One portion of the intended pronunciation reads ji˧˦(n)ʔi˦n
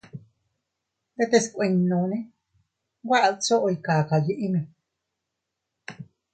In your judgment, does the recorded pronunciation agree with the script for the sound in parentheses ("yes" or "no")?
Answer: no